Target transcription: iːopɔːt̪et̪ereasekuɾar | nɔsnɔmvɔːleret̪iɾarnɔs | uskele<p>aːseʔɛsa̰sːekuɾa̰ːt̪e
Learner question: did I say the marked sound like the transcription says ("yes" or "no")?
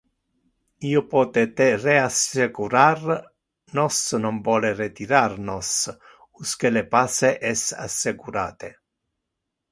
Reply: yes